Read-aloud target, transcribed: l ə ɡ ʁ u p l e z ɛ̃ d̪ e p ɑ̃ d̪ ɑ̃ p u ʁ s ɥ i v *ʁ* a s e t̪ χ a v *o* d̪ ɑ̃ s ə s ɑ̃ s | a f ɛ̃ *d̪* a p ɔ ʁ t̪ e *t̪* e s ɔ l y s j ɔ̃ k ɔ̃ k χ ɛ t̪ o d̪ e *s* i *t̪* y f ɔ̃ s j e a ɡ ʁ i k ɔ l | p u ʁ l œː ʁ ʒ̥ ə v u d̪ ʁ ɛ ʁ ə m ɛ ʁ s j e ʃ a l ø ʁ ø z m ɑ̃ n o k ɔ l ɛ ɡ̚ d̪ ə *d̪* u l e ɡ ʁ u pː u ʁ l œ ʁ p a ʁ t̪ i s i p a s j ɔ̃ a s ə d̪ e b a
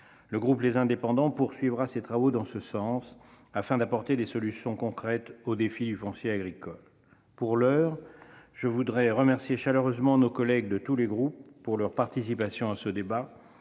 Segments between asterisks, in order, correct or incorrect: correct, correct, correct, incorrect: d̪, incorrect: f, incorrect: d̪, incorrect: t̪

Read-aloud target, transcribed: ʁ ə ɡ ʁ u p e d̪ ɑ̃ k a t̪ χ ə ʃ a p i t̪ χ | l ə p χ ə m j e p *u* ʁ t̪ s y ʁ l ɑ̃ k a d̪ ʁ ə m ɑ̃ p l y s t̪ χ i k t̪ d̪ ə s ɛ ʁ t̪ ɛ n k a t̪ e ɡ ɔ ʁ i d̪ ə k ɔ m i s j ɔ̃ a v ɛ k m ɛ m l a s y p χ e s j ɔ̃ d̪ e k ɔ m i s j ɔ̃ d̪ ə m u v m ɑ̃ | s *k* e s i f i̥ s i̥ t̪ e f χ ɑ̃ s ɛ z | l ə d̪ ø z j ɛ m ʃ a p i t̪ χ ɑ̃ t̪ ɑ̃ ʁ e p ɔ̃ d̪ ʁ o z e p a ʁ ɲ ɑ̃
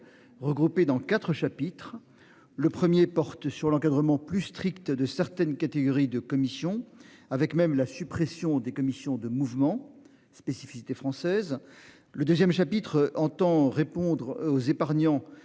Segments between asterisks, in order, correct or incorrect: incorrect: ɔ, incorrect: p

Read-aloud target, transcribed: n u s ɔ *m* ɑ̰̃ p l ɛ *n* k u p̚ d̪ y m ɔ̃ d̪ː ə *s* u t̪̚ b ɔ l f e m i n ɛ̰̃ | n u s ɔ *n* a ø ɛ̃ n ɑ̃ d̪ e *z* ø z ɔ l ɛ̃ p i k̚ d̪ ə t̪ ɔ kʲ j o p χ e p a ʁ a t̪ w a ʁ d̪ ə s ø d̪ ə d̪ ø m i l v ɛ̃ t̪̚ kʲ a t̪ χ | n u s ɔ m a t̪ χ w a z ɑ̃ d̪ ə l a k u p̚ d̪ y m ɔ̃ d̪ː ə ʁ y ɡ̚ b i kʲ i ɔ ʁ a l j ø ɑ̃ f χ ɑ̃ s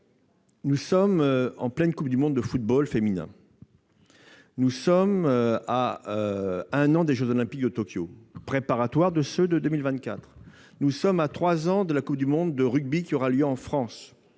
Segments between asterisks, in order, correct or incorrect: correct, correct, incorrect: f, incorrect: m, incorrect: ʒ

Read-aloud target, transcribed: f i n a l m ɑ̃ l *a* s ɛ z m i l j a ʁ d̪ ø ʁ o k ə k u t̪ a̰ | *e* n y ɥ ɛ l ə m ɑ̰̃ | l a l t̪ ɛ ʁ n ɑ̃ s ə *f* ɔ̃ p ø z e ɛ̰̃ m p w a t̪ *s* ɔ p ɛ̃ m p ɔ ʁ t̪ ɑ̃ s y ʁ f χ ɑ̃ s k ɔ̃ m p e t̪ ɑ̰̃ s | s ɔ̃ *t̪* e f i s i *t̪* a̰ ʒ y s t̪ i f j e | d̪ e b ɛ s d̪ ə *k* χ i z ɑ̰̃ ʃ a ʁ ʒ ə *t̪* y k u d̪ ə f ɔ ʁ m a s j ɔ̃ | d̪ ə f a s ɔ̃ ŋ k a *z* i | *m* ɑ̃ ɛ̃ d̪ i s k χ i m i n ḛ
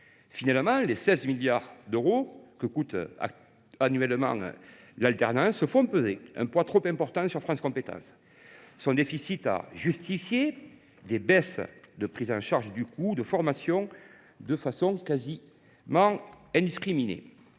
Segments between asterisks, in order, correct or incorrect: incorrect: e, incorrect: a, correct, incorrect: χ, incorrect: d̪, correct, incorrect: p, incorrect: d̪, correct, correct

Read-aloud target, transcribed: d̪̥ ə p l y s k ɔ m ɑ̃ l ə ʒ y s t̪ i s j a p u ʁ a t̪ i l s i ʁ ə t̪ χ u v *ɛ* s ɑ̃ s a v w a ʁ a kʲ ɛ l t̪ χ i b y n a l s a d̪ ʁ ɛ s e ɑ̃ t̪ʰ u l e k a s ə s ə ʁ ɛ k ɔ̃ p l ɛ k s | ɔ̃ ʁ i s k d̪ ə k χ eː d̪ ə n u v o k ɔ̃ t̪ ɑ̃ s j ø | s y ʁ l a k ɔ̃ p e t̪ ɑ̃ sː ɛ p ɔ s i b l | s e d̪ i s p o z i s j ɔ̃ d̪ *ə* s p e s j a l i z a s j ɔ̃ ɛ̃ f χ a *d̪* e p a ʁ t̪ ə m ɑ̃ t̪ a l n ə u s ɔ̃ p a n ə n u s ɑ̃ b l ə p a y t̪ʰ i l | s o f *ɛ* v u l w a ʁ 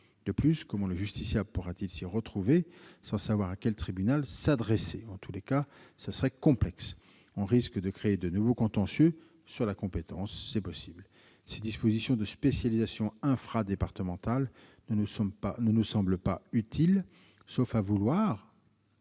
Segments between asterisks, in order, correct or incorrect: incorrect: e, correct, correct, incorrect: a

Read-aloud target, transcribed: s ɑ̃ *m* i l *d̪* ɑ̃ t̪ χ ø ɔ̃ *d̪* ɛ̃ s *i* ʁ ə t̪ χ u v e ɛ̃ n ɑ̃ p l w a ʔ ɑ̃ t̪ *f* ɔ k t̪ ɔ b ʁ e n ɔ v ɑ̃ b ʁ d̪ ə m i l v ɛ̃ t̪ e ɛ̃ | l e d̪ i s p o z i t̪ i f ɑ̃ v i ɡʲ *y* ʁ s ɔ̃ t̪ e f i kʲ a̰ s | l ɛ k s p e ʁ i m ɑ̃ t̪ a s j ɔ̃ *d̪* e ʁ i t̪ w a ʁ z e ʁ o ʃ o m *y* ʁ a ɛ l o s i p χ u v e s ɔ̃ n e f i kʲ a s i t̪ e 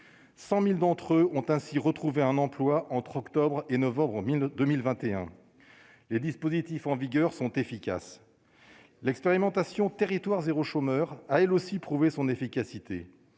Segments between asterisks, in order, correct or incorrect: correct, correct, incorrect: t̪, correct, incorrect: χ, incorrect: œ, incorrect: t̪, incorrect: œ

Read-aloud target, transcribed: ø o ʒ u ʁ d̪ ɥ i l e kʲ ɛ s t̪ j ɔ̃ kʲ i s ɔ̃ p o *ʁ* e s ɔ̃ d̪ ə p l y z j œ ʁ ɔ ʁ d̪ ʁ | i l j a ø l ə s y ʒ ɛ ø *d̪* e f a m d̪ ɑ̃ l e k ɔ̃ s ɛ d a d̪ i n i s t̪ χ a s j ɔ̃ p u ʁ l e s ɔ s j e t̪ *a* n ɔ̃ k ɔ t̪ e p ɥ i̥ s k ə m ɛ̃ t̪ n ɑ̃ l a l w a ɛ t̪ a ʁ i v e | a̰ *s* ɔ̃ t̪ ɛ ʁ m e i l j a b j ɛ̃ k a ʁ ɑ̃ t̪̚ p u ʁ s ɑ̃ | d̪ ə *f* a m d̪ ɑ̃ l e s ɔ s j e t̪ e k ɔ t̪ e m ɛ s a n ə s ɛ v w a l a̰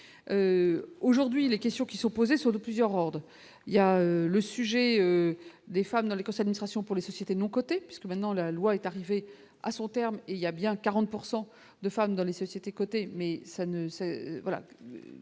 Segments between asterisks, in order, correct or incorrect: incorrect: z, correct, incorrect: e, correct, correct

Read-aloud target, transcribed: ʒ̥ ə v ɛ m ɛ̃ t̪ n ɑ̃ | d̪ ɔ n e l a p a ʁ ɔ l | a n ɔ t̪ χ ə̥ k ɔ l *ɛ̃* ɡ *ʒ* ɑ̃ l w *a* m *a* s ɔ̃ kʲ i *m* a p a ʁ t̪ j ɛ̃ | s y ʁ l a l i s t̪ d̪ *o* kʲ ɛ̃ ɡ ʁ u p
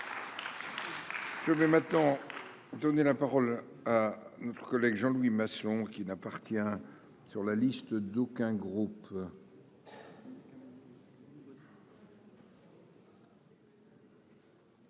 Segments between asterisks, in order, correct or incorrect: incorrect: ɛ, correct, incorrect: i, correct, incorrect: n, correct

